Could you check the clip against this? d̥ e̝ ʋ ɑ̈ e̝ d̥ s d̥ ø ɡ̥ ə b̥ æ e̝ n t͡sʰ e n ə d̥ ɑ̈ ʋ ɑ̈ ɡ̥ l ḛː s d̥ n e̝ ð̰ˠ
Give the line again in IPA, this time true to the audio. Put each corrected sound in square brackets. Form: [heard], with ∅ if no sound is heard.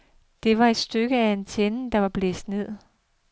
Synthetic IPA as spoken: d̥ e̝ ʋ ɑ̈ e̝ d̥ s d̥ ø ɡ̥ ə [∅] æ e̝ n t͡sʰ e n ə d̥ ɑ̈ ʋ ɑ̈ [b̥] l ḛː s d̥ n e̝ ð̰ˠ